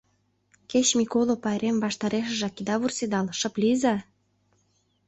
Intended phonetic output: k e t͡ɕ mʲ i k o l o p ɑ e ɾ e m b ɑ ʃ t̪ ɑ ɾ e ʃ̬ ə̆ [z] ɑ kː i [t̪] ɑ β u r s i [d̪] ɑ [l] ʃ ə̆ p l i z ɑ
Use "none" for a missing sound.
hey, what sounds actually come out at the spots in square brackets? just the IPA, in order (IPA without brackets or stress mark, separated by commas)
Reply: ʒ, d̪, d̪, l